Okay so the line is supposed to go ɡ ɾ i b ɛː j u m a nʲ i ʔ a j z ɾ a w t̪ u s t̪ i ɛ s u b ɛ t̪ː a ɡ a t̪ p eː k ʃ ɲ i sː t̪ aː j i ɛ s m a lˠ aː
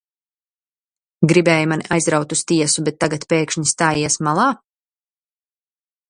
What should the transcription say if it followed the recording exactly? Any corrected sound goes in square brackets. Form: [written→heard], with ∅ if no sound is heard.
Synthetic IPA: ɡ ɾ i b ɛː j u m a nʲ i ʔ a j z ɾ a w t̪ u s t̪ i ɛ s u b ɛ t̪ː a ɡ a t̪ p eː k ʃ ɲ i [sː→s] t̪ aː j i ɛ s m a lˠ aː

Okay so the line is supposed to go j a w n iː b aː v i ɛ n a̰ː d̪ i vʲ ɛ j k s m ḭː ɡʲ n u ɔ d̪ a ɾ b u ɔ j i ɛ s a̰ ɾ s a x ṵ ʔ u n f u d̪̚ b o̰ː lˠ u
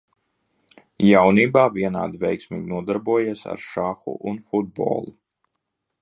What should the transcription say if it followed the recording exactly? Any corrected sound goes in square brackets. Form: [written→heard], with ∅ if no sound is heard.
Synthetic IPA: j a w n iː b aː v i ɛ n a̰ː d̪ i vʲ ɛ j k s m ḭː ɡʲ n u ɔ d̪ a ɾ b u ɔ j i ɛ s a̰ ɾ [s→ʃ] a x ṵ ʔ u n f u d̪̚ b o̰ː lˠ u

